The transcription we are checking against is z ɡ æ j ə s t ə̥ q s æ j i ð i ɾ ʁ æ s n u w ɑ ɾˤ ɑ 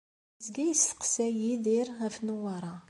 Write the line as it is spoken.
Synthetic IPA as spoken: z ɡ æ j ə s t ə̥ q s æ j i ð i ɾ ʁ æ f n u w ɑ ɾˤ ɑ

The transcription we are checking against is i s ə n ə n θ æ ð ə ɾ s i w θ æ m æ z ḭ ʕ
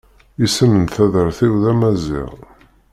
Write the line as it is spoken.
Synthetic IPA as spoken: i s ə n ə n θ æ ð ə ɾ θ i w ð æ m æ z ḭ ʁ

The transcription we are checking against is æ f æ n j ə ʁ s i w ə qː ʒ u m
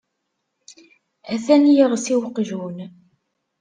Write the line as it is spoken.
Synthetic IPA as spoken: æ θ æ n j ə ʁ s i w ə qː ʒ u n

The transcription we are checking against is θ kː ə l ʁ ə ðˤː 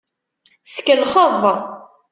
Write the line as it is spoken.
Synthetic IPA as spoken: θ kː ə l χ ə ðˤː

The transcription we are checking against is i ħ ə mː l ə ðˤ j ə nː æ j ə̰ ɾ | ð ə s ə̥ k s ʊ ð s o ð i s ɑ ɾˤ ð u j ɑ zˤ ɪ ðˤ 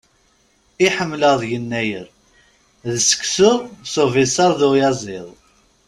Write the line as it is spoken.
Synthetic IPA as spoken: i ħ ə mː l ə ðˤ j ə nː æ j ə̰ ɾ | ð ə s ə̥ k s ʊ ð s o v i s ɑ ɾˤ ð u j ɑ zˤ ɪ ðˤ

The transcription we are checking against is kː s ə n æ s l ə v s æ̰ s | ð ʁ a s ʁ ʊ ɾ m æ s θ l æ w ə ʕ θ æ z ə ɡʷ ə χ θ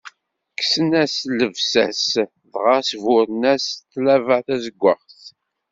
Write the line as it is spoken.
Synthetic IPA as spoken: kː s ə n æ s l ə v s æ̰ s | ð ʁ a s v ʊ ɾ n æ s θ l æ v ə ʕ θ æ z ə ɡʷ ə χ θ

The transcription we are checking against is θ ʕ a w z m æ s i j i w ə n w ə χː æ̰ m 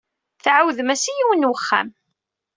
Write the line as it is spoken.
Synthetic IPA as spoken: θ ʕ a w ð m æ s i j i w ə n w ə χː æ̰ m

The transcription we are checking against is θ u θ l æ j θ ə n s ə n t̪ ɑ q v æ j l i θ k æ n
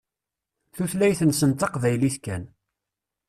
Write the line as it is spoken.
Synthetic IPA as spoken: θ u θ l æ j θ ə n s ə n t̪ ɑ q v æ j l i θ k æ n

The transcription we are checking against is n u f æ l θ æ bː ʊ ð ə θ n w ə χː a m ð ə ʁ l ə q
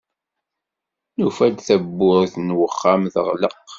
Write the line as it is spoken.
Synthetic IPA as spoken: n u f æ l θ æ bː ʊ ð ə θ n w ə χː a m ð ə ʁ l ə q

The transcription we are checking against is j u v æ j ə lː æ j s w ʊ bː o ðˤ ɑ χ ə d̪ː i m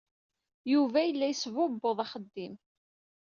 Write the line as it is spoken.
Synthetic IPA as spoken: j u v æ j ə lː æ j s v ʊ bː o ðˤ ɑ χ ə d̪ː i m

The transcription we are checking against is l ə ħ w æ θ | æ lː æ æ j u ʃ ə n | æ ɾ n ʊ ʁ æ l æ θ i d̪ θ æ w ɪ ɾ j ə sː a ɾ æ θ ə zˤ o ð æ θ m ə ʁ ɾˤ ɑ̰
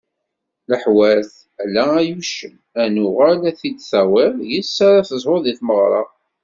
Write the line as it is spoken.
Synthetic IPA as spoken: l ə ħ w æ θ | æ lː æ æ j u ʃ ə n | æ n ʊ ʁ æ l æ θ i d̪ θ æ w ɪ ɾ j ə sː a ɾ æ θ ə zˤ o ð i θ m ə ʁ ɾˤ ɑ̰

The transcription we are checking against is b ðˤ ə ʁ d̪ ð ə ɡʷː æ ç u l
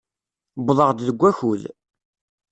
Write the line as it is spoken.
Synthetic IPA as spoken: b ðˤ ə ʁ d̪ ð ə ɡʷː æ ç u l

